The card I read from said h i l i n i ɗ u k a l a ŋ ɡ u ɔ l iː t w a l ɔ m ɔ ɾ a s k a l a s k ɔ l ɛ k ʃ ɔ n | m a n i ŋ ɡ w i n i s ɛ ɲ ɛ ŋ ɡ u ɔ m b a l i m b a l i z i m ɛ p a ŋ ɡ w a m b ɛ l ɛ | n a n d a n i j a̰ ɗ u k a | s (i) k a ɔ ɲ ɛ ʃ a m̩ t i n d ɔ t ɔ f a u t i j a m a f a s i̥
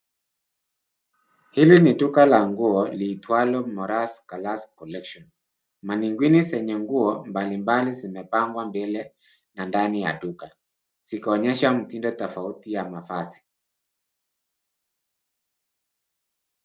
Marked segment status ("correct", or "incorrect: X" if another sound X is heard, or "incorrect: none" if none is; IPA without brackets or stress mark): correct